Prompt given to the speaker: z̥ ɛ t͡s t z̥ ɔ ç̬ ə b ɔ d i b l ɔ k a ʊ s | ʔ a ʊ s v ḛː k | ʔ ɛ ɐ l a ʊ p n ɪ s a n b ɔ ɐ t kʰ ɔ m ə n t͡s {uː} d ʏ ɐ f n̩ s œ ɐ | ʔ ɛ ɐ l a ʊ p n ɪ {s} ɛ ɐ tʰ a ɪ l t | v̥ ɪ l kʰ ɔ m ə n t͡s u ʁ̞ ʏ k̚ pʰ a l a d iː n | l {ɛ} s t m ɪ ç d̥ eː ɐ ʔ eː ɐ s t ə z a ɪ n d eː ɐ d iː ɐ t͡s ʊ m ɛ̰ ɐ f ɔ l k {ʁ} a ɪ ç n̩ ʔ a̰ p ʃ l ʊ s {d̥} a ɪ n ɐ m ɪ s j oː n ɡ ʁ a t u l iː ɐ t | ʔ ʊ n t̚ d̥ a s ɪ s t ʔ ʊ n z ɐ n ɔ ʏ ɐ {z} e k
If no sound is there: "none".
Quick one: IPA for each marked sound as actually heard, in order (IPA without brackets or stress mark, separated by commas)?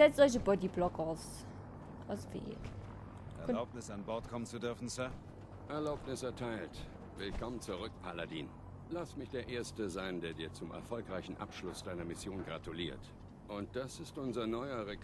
u, s, a, ʁ, d̥, ʁ